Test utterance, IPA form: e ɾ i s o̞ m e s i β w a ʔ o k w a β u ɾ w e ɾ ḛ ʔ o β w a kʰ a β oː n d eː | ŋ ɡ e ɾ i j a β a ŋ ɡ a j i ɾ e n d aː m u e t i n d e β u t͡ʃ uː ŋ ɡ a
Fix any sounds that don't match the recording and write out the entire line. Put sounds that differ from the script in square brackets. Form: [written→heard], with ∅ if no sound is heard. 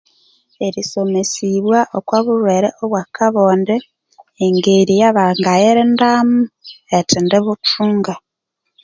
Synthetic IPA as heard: e ɾ i s o̞ m e s i β w a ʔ o k w a β u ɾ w e ɾ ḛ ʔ o β w a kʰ a β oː n d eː | ŋ ɡ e ɾ i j a β a ŋ ɡ a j [i→e] ɾ e n d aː m u e t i n d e β u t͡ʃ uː ŋ ɡ a

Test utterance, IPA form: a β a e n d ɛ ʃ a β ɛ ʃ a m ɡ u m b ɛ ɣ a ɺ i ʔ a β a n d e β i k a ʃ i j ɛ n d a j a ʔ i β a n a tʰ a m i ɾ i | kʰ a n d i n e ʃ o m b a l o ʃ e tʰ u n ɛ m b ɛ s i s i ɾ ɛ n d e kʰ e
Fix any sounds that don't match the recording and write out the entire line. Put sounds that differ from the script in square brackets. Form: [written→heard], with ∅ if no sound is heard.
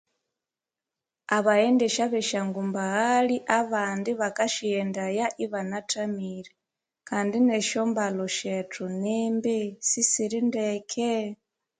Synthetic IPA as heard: a β a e n d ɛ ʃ a β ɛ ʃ a [m→ŋ] ɡ u m b [ɛ→a] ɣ a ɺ i ʔ a β a n d [e→i] β [i→a] k a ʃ i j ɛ n d a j a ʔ i β a n a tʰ a m i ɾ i | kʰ a n d i n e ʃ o m b a l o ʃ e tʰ u n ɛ m b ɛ s i s i ɾ [ɛ→i] n d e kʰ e

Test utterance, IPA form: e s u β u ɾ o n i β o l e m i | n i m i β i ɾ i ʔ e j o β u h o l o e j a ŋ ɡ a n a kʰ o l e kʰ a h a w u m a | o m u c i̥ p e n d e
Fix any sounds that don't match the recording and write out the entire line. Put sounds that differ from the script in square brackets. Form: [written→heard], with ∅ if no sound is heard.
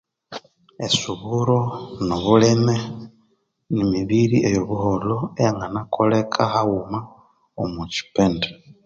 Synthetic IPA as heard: e s u β u ɾ o n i β [o→u] l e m [i→e] | n i m i β i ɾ i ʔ e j o β u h o l o e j a ŋ ɡ a n a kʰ o l e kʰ a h a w u m a | o m u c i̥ p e n d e

